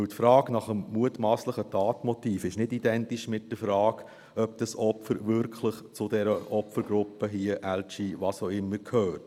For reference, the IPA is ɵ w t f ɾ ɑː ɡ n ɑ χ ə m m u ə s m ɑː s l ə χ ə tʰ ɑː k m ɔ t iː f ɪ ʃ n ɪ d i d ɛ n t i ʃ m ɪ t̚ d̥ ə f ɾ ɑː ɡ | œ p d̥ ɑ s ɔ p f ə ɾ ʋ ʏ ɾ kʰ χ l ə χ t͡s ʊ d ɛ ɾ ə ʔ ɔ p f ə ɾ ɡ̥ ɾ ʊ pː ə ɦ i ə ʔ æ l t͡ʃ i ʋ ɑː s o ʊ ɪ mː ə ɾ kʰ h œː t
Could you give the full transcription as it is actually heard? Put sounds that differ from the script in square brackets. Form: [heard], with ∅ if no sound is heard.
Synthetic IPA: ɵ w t f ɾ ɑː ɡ n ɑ χ ə m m u ə [t] m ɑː s l ə χ ə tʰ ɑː [t] m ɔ t iː f ɪ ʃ n ɪ d i d ɛ n t i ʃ m ɪ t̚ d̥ ə f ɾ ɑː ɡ | œ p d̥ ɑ s ɔ p f ə ɾ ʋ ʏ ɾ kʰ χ l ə χ t͡s ʊ d ɛ ɾ ə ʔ ɔ p f ə ɾ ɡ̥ ɾ ʊ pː ə ɦ i ə ʔ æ l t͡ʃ i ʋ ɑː s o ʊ ɪ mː ə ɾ kʰ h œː t